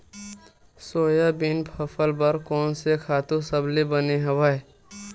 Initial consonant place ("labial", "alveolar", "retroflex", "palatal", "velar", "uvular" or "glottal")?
alveolar